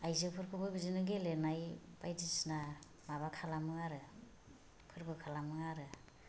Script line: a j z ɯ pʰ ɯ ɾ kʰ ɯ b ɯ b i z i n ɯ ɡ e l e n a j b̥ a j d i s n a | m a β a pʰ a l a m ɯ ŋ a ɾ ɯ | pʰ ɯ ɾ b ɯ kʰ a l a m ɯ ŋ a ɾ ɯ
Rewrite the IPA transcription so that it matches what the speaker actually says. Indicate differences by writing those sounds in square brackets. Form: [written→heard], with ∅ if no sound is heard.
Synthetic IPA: a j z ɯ pʰ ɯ ɾ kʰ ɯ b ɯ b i z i n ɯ ɡ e l e n a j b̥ a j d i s n a | m a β a [pʰ→kʰ] a l a m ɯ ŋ a ɾ ɯ | pʰ ɯ ɾ b ɯ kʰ a l a m ɯ ŋ a ɾ ɯ